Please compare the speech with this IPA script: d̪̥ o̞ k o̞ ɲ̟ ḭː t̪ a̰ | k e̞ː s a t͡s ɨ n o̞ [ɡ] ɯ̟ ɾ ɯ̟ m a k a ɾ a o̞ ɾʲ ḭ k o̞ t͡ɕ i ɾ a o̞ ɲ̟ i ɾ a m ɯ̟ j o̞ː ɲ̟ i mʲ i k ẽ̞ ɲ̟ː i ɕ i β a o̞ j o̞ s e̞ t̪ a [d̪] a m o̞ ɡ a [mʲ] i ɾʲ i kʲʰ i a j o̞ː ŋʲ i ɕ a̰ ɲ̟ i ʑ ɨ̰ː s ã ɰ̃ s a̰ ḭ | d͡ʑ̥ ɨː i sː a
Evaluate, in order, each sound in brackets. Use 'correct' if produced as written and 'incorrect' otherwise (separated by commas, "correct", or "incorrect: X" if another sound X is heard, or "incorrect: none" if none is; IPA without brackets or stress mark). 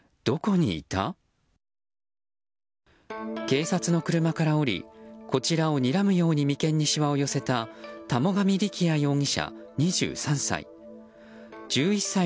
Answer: incorrect: k, incorrect: t̪, correct